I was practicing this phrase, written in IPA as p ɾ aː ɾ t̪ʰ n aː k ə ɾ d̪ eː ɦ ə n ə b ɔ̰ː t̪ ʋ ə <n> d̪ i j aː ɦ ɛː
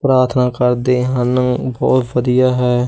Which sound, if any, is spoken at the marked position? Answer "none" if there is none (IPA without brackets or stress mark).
none